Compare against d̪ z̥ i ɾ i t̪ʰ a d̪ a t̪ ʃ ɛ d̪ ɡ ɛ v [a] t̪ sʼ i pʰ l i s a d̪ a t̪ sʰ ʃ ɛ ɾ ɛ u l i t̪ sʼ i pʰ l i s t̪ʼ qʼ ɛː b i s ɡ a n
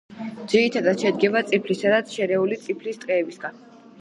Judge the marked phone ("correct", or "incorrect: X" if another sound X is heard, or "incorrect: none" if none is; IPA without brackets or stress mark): correct